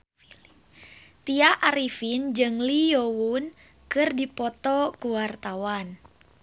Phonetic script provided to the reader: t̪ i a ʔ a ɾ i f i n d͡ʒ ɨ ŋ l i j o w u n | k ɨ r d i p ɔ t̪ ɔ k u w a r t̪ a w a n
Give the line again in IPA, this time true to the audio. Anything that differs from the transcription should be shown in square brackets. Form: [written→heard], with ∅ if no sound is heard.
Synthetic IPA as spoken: t̪ i a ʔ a ɾ i f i n d͡ʒ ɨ ŋ l i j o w u n | k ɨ r d i p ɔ t̪ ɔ k u w a r t̪ a w a n